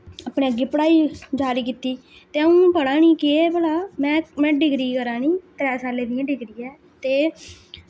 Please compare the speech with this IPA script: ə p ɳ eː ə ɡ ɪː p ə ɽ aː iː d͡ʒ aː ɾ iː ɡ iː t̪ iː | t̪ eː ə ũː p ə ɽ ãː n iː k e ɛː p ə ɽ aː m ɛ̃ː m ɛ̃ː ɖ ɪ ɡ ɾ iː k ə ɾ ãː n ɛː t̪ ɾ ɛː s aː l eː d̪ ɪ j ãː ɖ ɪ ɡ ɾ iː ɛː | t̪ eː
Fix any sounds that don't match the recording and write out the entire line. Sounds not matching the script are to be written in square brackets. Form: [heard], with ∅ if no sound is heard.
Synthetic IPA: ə p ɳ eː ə ɡ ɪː p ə ɽ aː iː d͡ʒ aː ɾ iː [k] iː t̪ iː | t̪ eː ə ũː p ə ɽ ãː n iː k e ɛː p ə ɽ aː m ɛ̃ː m ɛ̃ː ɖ ɪ ɡ ɾ iː k ə ɾ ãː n [iː] t̪ ɾ ɛː s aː l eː d̪ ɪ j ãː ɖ ɪ ɡ ɾ iː ɛː | t̪ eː